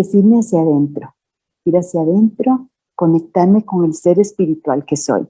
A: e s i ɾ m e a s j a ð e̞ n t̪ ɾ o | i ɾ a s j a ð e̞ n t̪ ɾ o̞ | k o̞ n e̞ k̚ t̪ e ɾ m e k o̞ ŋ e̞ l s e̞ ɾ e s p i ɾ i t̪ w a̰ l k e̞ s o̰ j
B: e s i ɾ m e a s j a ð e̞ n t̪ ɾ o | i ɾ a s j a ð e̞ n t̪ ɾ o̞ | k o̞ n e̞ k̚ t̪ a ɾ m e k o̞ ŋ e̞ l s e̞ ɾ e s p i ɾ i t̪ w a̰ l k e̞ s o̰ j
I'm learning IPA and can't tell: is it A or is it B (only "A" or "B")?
B